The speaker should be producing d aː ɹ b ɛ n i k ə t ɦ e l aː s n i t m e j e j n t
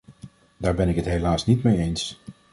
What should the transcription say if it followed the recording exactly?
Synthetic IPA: d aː ɹ b ɛ n ɪ k ə t ɦ e l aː s n i t m e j e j n s

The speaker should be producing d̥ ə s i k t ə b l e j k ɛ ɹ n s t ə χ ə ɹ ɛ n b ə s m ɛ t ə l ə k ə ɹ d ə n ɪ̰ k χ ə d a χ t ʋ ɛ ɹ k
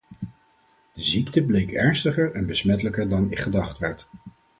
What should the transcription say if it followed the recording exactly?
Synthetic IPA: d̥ ə z i k t ə b l e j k ɛ ɹ n s t ə χ ə ɹ ɛ n b ə s m ɛ t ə l ə k ə ɹ d ɑ n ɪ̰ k χ ə d ɑ χ t ʋ ɛ ɹ t

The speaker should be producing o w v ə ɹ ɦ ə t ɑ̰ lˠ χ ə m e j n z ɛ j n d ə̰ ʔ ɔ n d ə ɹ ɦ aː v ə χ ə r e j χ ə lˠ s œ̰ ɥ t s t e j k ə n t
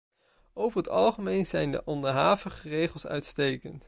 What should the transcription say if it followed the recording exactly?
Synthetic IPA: o w v ə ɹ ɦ ə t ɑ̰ lˠ χ ə m e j n z ɛ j n d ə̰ ʔ ɔ n d ə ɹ ɦ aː v ə χ ə r e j χ ə lˠ s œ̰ ɥ t s t e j k ə n t

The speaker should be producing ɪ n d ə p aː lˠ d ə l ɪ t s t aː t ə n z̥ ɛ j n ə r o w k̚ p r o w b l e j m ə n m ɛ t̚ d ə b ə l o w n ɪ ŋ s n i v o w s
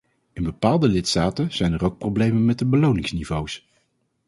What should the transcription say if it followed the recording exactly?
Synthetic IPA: ɪ n b ə p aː lˠ d ə l ɪ t s t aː t ə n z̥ ɛ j n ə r o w k̚ p r o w b l e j m ə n m ɛ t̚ d ə b ə l o w n ɪ ŋ s n i v o w s

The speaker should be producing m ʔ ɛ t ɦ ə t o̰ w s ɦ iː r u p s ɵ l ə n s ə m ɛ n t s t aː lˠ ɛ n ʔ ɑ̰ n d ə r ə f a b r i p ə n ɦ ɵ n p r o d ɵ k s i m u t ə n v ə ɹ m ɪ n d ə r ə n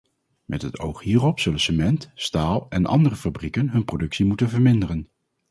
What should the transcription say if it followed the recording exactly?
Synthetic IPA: m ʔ ɛ t ɦ ə t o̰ w χ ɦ iː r ɔ p s ɵ l ə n s ə m ɛ n t s t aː lˠ ɛ n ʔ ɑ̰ n d ə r ə f a b r i k ə n ɦ ɵ n p r o d ɵ k s i m u t ə n v ə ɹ m ɪ n d ə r ə n

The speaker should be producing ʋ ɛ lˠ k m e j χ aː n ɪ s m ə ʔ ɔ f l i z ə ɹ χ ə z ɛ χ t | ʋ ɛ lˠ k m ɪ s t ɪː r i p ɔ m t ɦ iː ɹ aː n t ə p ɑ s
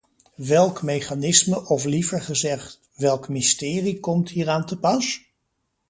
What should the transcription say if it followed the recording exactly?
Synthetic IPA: ʋ ɛ lˠ k m e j χ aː n ɪ s m ə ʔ ɔ f l i v ə ɹ χ ə z ɛ χ t | ʋ ɛ lˠ k m ɪ s t ɪː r i k ɔ m t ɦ iː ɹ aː n t ə p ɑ s

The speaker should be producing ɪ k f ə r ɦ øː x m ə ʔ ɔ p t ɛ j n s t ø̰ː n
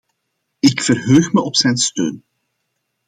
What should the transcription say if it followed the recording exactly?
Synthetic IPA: ɪ k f ə r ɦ øː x m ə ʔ ɔ p s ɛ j n s t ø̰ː n

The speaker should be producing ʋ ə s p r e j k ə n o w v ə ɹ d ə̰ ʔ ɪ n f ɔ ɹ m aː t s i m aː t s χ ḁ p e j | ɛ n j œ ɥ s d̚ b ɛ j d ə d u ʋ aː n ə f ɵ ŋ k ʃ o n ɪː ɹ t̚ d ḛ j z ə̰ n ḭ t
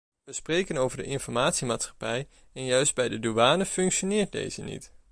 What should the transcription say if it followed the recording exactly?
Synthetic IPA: ʋ ə s p r e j k ə n o w v ə ɹ d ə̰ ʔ ɪ n f ɔ ɹ m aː t s i m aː t s χ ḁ p ɛ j | ɛ n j œ ɥ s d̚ b ɛ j d ə d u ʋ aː n ə f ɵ ŋ k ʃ o n ɪː ɹ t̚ d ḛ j z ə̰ n ḭ t

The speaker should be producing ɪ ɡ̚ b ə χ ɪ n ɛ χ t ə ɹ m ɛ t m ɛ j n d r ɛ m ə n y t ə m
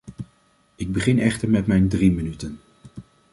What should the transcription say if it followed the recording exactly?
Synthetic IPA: ɪ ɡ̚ b ə χ ɪ n ɛ χ t ə ɹ m ɛ t m ɛ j n d r i m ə n y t ə n

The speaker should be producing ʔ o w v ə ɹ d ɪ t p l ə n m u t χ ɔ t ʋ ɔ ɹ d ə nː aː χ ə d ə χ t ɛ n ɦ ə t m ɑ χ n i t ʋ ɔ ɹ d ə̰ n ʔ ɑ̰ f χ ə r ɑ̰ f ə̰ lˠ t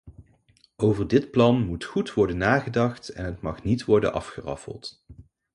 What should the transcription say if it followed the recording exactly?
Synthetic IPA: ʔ o w v ə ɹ d ɪ t p l ɑ n m u t χ u t ʋ ɔ ɹ d ə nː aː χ ə d ɑ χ t ɛ n ɦ ə t m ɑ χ n i t ʋ ɔ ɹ d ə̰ n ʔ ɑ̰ f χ ə r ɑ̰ f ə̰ lˠ t

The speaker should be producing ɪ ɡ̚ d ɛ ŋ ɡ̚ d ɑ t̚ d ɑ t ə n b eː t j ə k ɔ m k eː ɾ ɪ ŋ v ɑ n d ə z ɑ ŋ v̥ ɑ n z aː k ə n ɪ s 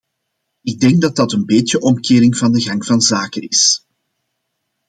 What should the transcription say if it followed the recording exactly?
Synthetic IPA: ɪ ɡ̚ d ɛ ŋ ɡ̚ d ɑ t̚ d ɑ t ə n b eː t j ə ʔ ɔ m k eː ɾ ɪ ŋ v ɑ n d ə ɣ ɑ ŋ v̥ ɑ n z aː k ə n ɪ s

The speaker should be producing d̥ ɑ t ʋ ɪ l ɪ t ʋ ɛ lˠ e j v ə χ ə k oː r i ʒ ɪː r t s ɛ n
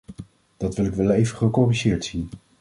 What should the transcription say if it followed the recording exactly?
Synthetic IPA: d̥ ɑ t ʋ ɪ l ɪ k ʋ ɛ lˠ e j v ə χ ə k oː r i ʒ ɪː ɹ t s i n

